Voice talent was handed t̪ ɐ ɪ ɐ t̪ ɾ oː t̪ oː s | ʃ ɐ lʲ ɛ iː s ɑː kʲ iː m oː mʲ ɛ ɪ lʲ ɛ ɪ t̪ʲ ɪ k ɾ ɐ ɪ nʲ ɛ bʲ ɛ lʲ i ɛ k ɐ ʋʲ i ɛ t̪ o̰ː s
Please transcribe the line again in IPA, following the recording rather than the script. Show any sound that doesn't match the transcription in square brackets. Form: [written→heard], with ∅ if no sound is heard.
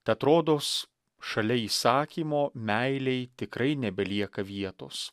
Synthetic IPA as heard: t̪ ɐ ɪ ɐ t̪ ɾ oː [t̪→d̪] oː s | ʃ ɐ lʲ ɛ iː s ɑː kʲ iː m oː mʲ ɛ ɪ lʲ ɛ ɪ t̪ʲ ɪ k ɾ ɐ ɪ nʲ ɛ bʲ ɛ lʲ i ɛ k ɐ ʋʲ i ɛ t̪ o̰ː s